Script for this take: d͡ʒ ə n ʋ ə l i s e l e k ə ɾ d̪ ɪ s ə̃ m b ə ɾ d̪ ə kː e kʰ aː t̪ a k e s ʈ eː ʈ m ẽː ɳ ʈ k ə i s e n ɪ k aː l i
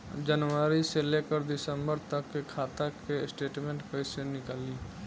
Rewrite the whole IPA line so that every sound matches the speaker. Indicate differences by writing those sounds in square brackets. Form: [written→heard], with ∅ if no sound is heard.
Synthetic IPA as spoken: d͡ʒ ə n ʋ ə [l→ɾ] i s e l e k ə ɾ d̪ ɪ s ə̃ m b ə ɾ [d̪→t̪] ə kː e kʰ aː t̪ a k e s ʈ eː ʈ m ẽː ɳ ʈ k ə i s e n ɪ k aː l i